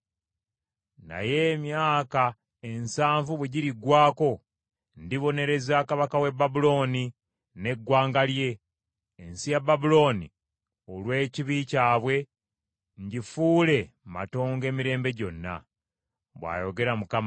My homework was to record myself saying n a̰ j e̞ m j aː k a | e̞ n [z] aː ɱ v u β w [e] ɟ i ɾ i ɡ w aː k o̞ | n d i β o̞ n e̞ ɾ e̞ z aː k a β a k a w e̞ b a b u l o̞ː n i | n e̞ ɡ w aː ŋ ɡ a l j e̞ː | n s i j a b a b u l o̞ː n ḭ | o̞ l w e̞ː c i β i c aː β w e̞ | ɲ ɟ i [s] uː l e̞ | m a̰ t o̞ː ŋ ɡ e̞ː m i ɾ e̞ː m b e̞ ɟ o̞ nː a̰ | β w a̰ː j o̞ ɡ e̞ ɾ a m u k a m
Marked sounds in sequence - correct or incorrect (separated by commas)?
incorrect, correct, incorrect